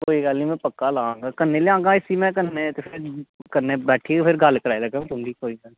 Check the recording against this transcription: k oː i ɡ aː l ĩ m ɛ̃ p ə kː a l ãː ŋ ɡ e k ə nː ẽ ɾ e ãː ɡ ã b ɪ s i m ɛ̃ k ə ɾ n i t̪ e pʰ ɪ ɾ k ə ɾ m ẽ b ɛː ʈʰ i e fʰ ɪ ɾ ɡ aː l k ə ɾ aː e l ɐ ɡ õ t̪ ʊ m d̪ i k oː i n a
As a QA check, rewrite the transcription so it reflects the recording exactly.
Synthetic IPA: k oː i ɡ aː l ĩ m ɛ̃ p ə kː a l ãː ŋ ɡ a k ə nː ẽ l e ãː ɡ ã ɪ s i m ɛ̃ k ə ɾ n e t̪ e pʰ ɪ ɾ k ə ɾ n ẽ b ɛː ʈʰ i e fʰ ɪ ɾ ɡ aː l k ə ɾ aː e l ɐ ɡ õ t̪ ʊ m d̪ i k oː i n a